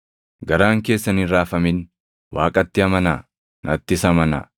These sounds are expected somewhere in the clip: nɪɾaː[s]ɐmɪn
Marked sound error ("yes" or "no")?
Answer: yes